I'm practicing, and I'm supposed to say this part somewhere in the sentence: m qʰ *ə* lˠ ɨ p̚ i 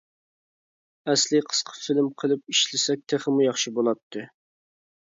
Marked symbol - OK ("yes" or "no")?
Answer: yes